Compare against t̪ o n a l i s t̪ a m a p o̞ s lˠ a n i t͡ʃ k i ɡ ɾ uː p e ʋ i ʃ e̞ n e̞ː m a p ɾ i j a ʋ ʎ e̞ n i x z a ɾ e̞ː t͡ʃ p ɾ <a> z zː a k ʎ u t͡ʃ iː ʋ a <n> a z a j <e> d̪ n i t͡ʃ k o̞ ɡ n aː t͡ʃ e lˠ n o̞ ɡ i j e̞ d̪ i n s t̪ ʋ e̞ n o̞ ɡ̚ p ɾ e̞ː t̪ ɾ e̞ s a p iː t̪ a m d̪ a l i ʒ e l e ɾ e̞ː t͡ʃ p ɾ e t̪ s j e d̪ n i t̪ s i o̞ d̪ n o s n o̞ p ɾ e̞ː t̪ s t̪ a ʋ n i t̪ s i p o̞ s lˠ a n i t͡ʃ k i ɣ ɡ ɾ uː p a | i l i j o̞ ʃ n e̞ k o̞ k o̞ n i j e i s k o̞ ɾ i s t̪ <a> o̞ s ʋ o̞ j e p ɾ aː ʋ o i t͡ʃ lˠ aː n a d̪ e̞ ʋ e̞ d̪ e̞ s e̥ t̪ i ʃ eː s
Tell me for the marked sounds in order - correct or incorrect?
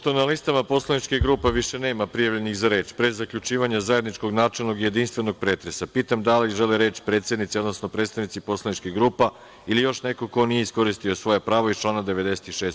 incorrect: e, incorrect: ɲ, correct, incorrect: i

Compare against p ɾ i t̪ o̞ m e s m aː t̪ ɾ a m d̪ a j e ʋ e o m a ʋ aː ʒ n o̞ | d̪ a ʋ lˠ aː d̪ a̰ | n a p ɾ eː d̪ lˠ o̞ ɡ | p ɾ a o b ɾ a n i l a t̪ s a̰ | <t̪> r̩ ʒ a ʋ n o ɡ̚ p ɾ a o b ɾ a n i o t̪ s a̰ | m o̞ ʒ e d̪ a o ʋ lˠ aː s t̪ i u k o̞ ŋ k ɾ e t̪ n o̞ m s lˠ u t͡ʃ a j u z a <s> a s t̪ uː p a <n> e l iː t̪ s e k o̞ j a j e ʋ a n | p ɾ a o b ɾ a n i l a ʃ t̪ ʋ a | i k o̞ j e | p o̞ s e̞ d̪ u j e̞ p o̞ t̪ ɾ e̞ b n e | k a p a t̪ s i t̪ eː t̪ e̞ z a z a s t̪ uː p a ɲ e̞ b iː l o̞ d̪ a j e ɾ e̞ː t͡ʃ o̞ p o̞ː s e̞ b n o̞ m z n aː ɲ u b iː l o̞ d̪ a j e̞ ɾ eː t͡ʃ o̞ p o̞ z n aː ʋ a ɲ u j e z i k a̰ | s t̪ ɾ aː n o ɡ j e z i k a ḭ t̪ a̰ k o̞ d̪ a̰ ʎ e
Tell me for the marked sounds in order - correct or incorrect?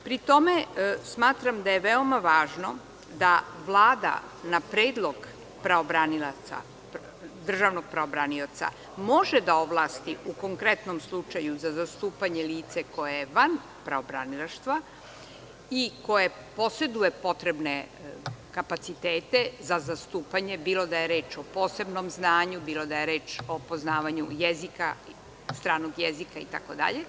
incorrect: d̪, incorrect: z, incorrect: ɲ

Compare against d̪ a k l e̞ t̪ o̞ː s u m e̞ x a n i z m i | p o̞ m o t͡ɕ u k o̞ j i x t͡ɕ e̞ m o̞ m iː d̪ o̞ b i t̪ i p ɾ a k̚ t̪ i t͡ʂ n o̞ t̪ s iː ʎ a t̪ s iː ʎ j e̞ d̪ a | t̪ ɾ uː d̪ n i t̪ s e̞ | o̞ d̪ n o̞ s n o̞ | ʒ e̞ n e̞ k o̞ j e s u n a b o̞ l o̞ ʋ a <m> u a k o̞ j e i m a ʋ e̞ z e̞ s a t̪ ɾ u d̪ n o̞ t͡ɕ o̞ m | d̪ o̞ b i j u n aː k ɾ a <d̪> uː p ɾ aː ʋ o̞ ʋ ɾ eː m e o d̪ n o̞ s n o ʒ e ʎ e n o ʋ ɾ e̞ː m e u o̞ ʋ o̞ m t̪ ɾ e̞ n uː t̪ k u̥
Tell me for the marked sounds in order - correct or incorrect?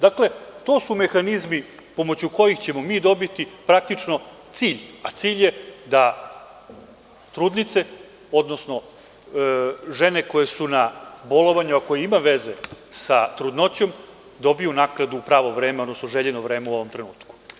incorrect: ɲ, correct

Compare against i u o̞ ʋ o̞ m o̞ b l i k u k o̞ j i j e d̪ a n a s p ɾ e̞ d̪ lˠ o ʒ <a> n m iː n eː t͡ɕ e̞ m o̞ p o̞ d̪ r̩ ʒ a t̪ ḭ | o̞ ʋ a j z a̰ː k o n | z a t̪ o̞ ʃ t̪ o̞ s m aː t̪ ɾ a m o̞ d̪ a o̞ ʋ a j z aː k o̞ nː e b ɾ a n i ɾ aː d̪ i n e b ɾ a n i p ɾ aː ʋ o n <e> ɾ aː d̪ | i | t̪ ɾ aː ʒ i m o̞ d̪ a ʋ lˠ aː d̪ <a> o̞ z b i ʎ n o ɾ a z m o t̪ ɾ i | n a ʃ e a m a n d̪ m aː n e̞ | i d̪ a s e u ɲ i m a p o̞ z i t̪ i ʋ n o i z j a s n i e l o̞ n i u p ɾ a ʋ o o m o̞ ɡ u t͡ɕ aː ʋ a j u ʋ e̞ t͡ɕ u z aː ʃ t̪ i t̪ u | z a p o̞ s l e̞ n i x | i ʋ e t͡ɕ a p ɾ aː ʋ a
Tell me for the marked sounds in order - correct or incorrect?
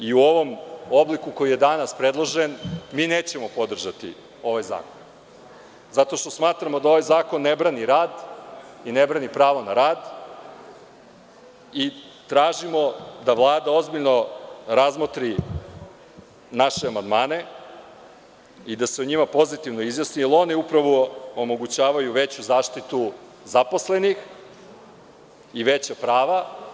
incorrect: e, incorrect: a, correct

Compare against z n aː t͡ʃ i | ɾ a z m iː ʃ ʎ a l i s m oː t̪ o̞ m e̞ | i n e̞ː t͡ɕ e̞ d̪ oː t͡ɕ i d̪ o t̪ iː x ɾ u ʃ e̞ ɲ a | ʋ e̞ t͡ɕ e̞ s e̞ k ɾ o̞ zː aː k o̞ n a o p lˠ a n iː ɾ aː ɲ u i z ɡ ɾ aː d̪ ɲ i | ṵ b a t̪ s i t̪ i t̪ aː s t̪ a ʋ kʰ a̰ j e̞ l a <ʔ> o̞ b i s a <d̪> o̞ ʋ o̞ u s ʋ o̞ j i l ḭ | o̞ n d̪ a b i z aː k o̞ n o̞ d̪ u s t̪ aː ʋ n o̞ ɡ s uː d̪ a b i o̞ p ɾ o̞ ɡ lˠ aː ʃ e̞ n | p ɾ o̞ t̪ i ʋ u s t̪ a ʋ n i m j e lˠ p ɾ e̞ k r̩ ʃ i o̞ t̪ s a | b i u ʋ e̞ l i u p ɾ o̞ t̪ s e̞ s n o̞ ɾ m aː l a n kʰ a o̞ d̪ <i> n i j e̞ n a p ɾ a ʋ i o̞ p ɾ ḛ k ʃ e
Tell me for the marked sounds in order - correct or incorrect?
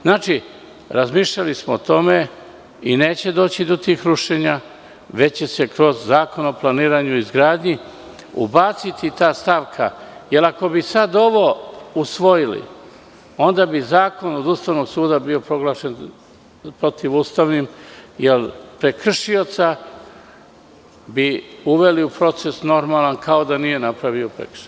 incorrect: k, correct, incorrect: a

